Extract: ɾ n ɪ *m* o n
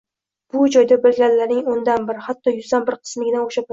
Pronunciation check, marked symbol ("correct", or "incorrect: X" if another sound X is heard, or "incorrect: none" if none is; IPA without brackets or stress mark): incorrect: ŋ